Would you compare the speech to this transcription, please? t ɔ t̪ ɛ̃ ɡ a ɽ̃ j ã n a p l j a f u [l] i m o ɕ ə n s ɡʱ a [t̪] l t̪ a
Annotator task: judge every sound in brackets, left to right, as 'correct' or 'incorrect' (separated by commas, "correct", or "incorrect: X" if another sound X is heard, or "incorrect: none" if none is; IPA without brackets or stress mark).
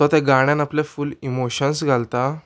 correct, incorrect: none